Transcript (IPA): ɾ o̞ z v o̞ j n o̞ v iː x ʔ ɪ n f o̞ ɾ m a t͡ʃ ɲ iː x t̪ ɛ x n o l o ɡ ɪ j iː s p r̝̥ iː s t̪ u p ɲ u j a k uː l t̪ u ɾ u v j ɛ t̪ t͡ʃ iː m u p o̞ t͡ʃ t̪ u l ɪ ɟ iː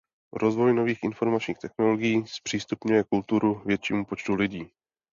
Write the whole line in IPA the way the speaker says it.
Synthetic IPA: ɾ o̞ z v o̞ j n o̞ v iː x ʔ ɪ n f o̞ ɾ m a t͡ʃ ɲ iː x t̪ ɛ x n o l o ɡ ɪ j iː s p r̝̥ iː s t̪ u p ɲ u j ɛ k u l t̪ u ɾ u v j ɛ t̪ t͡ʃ iː m u p o̞ t͡ʃ t̪ u l ɪ ɟ iː